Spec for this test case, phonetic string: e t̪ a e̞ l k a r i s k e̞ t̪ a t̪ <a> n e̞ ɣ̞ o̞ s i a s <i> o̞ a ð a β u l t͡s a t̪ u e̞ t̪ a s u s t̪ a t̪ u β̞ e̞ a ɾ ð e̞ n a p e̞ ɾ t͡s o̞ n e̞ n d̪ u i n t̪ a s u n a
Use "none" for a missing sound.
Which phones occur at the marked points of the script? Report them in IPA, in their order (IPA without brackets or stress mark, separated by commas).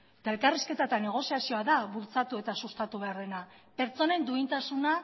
a, i